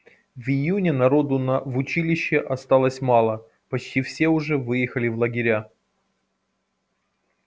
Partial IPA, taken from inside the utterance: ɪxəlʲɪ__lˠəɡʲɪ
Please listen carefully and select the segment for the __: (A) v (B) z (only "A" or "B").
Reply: A